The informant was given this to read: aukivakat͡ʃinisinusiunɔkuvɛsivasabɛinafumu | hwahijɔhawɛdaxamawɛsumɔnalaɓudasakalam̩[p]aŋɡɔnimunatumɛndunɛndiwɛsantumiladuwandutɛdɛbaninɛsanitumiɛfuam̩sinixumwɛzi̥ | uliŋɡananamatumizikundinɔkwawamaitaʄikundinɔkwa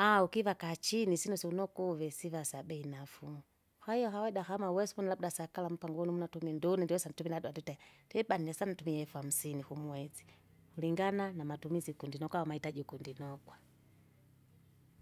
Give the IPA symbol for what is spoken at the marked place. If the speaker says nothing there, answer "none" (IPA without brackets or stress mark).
p